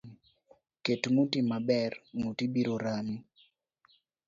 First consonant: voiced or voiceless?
voiceless